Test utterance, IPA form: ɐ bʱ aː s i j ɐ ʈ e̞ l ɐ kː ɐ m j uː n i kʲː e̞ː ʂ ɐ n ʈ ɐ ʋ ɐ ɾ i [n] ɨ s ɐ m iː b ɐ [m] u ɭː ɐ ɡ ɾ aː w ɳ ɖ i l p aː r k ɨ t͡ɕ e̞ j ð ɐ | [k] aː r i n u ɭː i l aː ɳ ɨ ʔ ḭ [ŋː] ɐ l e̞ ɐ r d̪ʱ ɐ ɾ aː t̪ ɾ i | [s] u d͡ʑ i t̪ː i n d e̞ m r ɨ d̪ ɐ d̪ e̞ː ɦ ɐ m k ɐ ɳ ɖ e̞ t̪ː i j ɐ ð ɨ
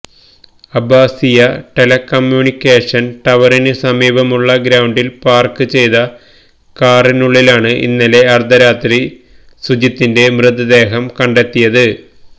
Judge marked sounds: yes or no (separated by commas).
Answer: yes, yes, yes, no, yes